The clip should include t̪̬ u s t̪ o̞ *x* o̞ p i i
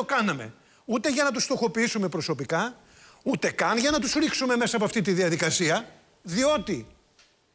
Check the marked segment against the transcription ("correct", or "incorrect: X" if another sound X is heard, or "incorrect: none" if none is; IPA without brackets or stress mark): correct